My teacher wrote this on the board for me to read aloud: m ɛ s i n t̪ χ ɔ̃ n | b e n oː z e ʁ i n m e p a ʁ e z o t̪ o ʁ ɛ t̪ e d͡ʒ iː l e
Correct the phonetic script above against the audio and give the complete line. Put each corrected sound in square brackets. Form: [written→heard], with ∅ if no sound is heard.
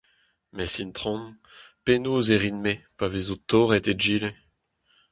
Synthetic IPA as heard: m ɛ s i n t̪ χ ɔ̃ n | [b→p] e n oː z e ʁ i n m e p a [ʁ→v] e z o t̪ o ʁ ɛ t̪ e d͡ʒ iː l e